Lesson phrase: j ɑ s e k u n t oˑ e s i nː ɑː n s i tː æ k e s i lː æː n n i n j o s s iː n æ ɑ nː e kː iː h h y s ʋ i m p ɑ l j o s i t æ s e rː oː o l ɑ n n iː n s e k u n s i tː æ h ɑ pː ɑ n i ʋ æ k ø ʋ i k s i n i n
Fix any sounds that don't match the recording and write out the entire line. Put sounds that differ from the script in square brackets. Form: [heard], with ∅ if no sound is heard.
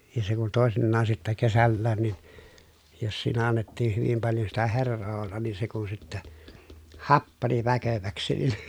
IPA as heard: j ɑ s e k u n t oˑ e s i nː ɑː n s i tː æ k e s [æ] lː æː n n i n j o s s iː n æ ɑ nː e [tː] iː h h y [∅] ʋ i m p ɑ l j o s i t æ [h] e rː oː o [lː] ɑ n n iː n s e k u n s i tː æ h ɑ pː ɑ n i ʋ æ k ø ʋ [æ] k s i n i n